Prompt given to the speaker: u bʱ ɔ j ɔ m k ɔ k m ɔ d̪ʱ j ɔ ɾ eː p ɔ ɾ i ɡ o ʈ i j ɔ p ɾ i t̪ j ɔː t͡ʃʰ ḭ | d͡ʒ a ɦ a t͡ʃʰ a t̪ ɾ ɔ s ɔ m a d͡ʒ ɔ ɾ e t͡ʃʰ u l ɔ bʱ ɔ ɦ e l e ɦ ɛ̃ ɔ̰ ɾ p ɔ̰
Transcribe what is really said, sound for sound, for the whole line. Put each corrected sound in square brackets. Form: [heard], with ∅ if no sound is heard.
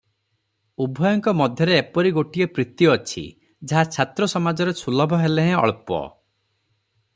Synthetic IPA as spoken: u bʱ ɔ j ɔ [ŋ] k ɔ [∅] m ɔ d̪ʱ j ɔ ɾ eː p ɔ ɾ i ɡ o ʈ i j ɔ p ɾ i t̪ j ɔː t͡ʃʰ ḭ | d͡ʒ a ɦ a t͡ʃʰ a t̪ ɾ ɔ s ɔ m a d͡ʒ ɔ ɾ e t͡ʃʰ u l ɔ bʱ ɔ ɦ e l e ɦ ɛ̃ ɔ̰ [ɭ] p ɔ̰